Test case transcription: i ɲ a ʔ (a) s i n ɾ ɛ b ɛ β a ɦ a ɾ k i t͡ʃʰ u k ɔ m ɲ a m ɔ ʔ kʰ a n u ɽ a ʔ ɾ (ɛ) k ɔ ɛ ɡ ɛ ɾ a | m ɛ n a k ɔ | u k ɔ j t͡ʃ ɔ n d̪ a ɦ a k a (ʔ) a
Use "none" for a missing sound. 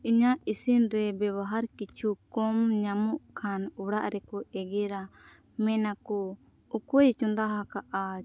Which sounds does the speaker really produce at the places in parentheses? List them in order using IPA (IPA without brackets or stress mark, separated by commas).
i, ɛ, ʔ